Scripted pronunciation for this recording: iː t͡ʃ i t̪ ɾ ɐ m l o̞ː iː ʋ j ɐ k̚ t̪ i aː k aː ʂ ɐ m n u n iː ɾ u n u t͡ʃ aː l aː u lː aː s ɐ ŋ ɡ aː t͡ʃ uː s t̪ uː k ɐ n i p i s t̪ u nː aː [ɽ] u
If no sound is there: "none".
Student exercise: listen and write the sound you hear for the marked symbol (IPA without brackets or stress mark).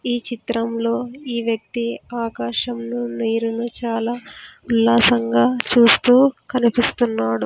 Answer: ɽ